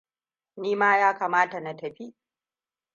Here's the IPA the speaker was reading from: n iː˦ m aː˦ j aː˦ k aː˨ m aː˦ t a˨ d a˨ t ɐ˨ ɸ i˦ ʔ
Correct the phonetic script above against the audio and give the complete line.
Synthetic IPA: n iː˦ m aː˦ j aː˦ k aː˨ m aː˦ t a˨ n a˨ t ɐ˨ ɸ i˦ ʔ

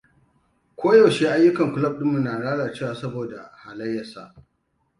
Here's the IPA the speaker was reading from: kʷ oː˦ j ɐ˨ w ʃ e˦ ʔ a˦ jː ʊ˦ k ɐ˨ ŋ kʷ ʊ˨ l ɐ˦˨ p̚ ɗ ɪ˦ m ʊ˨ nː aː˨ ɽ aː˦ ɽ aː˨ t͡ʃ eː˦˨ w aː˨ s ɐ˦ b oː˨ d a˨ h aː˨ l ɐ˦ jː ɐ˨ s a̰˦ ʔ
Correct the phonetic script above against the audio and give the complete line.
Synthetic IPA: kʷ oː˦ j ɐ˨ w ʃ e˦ ʔ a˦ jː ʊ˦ k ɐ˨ ŋ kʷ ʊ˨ l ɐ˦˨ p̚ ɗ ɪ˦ m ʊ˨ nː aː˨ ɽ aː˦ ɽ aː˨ t͡ʃ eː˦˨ w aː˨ s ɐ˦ b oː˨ d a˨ h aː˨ l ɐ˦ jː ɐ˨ s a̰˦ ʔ

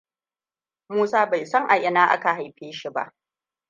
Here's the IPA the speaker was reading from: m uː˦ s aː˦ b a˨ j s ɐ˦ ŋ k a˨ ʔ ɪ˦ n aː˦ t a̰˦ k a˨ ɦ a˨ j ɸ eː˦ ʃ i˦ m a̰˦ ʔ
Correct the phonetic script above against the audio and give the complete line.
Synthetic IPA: m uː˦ s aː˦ b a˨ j s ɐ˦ ŋ ʔ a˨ ʔ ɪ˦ n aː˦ ʔ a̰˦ k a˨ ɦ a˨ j ɸ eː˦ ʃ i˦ b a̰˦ ʔ

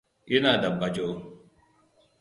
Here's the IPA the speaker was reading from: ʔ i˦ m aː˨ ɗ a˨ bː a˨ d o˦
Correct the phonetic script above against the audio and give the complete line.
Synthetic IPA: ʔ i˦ n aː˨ d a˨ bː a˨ d͡ʒ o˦

